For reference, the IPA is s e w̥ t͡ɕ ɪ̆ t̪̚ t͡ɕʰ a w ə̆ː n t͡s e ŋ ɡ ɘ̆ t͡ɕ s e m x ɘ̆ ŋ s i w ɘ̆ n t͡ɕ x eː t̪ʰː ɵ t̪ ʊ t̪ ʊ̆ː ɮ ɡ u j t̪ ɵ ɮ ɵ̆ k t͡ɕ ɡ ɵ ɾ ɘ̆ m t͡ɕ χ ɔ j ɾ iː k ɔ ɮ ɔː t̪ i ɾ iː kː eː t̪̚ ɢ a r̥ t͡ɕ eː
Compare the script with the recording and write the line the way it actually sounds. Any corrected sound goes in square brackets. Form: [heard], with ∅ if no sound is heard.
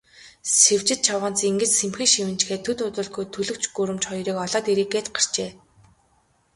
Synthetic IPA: s e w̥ t͡ɕ ɪ̆ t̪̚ t͡ɕʰ a w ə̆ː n t͡s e ŋ ɡ ɘ̆ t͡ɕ s e m x ɘ̆ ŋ [ʃ] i w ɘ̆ n t͡ɕ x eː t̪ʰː ɵ t̪ ʊ t̪ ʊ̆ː ɮ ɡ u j [t̪ʰ] ɵ ɮ ɵ̆ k t͡ɕ ɡ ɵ ɾ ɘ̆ m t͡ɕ χ ɔ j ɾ iː k ɔ ɮ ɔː t̪ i ɾ iː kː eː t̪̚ ɢ a r̥ t͡ɕ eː